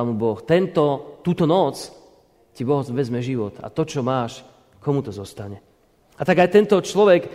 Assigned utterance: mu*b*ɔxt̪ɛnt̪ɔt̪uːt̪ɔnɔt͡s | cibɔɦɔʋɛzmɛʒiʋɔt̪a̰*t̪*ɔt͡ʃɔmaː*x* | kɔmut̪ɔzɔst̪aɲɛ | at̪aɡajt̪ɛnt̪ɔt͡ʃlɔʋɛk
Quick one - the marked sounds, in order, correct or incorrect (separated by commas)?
correct, correct, incorrect